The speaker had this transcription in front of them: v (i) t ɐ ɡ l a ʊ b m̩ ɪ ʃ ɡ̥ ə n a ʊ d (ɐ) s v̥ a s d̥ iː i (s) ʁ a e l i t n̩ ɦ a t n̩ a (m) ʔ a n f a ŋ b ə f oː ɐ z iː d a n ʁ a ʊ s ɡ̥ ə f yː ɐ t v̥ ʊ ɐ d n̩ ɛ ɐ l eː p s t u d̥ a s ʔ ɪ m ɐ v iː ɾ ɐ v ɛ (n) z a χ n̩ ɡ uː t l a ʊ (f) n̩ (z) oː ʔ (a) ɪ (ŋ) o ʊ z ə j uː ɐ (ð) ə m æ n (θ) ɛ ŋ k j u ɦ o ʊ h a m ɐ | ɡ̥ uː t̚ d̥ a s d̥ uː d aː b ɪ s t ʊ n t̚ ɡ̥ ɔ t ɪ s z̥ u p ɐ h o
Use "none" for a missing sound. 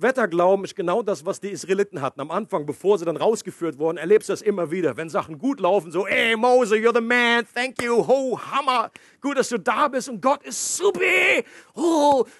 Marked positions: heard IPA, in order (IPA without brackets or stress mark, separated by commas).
ɛ, a, s, m, n, f, z, ɛ, m, ð, θ